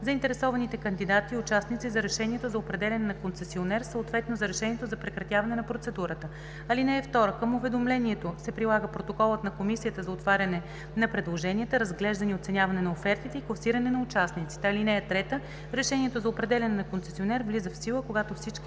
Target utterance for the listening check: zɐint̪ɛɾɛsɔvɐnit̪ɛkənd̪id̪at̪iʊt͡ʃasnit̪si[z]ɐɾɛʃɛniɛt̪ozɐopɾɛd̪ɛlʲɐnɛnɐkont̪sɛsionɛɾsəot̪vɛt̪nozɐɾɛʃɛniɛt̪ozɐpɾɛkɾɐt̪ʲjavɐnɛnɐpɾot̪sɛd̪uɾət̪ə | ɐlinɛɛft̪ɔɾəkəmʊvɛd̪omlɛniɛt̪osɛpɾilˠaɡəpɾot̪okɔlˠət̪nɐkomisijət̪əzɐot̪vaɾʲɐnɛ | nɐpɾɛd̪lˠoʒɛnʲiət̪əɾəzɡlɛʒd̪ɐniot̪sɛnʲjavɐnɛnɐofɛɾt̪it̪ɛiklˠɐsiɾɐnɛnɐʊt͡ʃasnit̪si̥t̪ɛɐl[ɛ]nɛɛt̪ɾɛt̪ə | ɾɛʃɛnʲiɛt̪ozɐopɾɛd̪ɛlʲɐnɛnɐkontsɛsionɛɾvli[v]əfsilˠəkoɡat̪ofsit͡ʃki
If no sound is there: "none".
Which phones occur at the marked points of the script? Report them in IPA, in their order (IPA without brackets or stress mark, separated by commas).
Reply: z, i, z